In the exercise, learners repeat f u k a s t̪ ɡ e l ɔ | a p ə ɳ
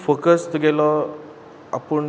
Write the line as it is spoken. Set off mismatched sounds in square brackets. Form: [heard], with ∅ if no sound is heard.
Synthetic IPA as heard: f [o] k [ə] s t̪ ɡ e l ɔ | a p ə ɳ